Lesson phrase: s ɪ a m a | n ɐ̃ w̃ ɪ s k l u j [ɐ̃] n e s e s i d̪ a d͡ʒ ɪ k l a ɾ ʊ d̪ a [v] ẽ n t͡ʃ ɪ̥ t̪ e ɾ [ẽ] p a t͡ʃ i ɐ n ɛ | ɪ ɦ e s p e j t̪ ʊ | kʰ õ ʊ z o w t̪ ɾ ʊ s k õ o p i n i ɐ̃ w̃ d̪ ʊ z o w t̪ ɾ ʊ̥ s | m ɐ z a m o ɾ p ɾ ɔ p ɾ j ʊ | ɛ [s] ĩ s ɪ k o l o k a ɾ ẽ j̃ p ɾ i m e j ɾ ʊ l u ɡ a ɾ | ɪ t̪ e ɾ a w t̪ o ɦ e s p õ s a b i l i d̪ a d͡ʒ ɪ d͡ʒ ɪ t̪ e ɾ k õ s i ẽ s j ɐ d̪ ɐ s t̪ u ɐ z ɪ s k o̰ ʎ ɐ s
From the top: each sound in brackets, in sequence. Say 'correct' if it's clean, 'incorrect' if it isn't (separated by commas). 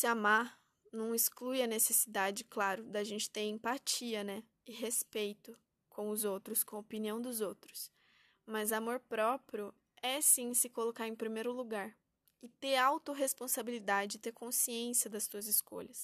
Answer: incorrect, incorrect, correct, correct